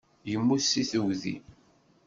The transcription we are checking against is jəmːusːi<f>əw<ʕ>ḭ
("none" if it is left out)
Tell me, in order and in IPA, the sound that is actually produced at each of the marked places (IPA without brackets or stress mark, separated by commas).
θ, ð